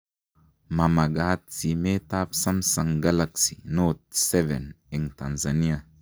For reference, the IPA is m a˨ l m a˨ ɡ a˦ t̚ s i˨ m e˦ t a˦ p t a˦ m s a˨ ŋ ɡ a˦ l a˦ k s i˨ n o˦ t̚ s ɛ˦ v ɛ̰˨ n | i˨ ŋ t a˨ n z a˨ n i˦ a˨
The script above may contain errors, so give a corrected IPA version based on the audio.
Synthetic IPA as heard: m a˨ m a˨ ɡ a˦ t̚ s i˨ m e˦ t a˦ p s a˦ m s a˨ ŋ ɡ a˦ l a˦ k s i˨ n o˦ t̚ s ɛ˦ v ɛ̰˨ n | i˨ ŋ t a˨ n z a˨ n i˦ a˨